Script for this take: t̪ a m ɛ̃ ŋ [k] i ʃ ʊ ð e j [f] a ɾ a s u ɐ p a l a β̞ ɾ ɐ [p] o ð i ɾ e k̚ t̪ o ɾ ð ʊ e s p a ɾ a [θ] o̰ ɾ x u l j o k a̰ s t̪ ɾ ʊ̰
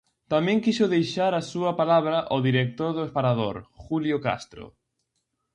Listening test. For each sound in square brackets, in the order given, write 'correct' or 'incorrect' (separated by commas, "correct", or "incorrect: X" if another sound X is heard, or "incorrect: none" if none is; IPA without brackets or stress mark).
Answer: correct, incorrect: ʃ, incorrect: ʔ, incorrect: ð